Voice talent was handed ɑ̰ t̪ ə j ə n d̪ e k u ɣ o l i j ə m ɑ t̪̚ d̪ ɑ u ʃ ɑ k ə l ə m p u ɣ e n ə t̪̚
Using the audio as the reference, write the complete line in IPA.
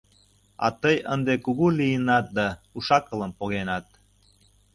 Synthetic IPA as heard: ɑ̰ t̪ ə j ə n d̪ e k u ɣ u l i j ə n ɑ t̪̚ d̪ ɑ u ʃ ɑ k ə l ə m p o ɣ e n ɑ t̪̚